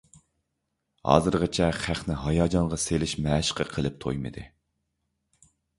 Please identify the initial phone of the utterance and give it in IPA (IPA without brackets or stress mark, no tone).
h